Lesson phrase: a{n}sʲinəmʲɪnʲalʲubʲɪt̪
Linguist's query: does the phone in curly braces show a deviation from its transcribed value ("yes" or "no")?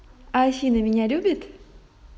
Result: yes